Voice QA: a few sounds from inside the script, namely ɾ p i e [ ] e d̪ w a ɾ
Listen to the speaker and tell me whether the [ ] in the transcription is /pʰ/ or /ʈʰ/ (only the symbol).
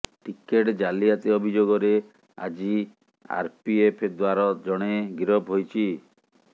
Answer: pʰ